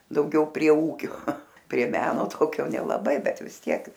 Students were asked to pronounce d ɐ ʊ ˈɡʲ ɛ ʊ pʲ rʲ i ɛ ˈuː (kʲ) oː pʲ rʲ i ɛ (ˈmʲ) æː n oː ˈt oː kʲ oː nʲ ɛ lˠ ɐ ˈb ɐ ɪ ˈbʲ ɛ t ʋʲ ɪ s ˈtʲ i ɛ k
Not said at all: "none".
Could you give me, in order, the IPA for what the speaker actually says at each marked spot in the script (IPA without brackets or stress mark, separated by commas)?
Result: kʲ, mʲ